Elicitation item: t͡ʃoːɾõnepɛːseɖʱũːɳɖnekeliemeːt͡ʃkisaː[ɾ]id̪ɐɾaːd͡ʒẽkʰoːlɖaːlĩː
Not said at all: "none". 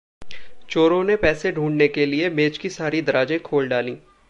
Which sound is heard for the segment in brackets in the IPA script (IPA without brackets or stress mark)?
ɾ